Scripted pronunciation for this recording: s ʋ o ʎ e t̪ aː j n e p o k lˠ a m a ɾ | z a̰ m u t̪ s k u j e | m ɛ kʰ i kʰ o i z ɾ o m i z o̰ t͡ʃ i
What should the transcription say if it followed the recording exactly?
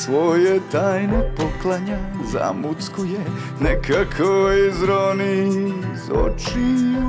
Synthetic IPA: s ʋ o j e t̪ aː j n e p o k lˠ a ɲ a | z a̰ m u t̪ s k u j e | n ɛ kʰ a kʰ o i z ɾ o n i z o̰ t͡ʃ i